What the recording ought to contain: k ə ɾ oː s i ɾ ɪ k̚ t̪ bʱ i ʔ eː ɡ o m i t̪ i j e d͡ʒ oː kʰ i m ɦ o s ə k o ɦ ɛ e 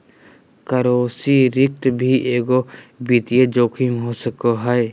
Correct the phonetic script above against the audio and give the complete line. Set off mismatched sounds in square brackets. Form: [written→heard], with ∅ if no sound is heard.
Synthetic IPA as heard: k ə ɾ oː s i ɾ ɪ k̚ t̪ bʱ i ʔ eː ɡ o [m→b] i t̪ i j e d͡ʒ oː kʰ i m ɦ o s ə k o ɦ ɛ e